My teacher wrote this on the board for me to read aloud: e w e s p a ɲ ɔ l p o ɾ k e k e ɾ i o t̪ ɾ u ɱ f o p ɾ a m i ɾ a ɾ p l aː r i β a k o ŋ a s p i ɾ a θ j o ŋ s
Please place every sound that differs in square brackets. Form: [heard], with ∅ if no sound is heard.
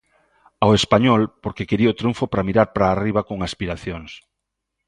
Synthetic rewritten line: [a] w e s p a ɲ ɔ l p o ɾ k e k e ɾ i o t̪ ɾ u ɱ f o p ɾ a m i ɾ a ɾ p [ɾ] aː r i β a k o ŋ a s p i ɾ a θ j o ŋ s